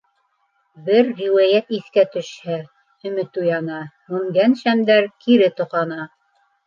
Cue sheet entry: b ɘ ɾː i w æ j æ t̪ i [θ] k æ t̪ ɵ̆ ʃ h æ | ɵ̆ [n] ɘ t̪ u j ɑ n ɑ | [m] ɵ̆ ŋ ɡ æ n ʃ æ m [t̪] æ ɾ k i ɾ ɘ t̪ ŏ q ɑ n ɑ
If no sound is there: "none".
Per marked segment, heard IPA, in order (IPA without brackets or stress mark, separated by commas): θ, m, m, d̪